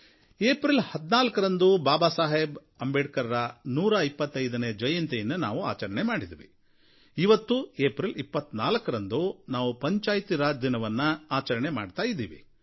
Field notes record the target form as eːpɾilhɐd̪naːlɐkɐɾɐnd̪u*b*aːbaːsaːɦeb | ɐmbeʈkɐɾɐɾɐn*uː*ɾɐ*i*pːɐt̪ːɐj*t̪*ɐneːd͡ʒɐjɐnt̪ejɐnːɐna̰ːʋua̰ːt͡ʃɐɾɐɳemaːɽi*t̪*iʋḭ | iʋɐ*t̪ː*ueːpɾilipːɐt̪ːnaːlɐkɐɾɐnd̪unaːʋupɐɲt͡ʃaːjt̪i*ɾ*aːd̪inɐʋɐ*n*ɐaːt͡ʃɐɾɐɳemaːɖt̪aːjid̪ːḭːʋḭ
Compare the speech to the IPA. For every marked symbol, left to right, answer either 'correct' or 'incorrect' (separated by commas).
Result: correct, correct, correct, incorrect, incorrect, correct, correct, incorrect